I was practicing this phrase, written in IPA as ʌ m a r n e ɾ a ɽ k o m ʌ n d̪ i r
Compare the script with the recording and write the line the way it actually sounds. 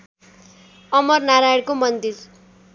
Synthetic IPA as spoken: ʌ m ʌ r n a ɾ a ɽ k o m ʌ n d̪ i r